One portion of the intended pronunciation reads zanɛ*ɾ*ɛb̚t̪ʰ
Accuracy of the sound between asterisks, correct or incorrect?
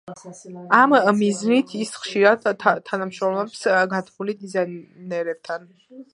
correct